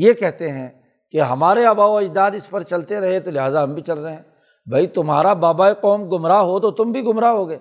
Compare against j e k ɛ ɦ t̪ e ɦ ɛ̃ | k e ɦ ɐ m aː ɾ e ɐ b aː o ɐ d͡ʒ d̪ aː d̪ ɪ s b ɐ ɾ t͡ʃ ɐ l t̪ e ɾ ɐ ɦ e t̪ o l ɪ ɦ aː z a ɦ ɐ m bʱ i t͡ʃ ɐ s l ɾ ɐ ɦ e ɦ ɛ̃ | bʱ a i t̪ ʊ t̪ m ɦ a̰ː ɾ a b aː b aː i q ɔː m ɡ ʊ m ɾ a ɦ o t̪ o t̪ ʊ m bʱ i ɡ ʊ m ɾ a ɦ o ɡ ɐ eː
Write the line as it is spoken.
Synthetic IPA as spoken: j e k ɛ ɦ t̪ e ɦ ɛ̃ | k e ɦ ɐ m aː ɾ e ɐ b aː o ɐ d͡ʒ d̪ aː d̪ ɪ s p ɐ ɾ t͡ʃ ɐ l t̪ e ɾ ɐ ɦ e t̪ o l ɪ ɦ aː z a ɦ ɐ m bʱ i t͡ʃ ɐ l ɾ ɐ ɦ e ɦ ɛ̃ | bʱ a i t̪ ʊ m ɦ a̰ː ɾ a b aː b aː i q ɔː m ɡ ʊ m ɾ a ɦ o t̪ o t̪ ʊ m bʱ i ɡ ʊ m ɾ a ɦ o ɡ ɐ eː